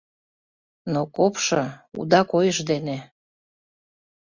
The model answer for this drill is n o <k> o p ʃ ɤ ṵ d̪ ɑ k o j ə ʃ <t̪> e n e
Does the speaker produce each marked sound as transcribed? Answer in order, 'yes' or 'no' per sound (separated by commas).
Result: yes, no